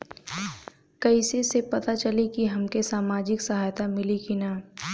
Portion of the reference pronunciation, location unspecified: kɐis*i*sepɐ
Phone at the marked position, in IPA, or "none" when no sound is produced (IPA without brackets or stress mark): e